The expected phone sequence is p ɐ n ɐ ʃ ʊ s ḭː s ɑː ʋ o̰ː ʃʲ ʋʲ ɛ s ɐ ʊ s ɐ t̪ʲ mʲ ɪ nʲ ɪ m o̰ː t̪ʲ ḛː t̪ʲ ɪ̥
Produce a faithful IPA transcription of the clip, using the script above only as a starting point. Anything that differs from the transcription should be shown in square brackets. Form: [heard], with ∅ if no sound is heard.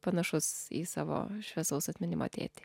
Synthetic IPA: p ɐ n ɐ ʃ ʊ s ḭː s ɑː ʋ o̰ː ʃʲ ʋʲ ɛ s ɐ ʊ s ɐ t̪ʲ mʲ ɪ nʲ ɪ m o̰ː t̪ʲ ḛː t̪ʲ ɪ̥